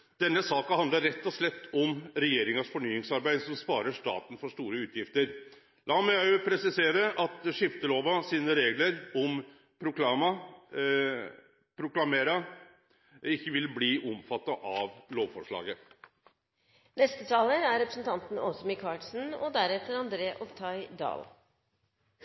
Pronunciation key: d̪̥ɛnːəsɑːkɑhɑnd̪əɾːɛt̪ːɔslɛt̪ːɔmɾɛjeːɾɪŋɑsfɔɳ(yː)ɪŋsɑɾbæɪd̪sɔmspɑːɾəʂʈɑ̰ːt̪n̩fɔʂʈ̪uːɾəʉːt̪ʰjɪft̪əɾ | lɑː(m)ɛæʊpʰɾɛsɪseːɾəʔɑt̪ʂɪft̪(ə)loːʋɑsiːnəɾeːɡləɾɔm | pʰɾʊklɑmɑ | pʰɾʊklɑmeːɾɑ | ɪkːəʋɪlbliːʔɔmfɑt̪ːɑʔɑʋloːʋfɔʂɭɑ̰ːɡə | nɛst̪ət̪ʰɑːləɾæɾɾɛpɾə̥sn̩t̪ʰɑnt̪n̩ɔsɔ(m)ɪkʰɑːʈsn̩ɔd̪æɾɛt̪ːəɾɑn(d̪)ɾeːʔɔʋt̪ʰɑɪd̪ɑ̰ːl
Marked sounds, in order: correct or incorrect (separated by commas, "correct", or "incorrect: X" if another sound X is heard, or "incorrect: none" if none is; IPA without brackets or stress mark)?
correct, correct, correct, correct, correct